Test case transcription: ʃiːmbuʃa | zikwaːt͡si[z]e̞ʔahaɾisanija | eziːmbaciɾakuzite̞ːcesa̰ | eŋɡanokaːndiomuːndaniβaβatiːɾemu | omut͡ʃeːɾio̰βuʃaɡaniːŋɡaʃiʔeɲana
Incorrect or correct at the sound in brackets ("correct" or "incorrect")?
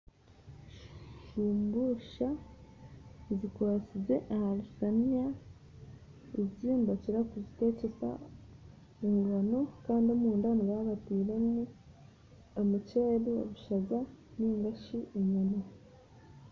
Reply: correct